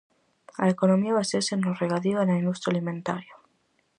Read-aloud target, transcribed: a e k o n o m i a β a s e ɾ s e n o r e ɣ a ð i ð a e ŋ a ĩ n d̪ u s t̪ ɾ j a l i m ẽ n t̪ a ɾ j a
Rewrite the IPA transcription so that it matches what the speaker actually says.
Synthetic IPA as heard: a e k o n o m i a β a s e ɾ s e n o r e ɣ a ð i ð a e n a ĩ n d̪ u s t̪ ɾ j a l i m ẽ n t̪ a ɾ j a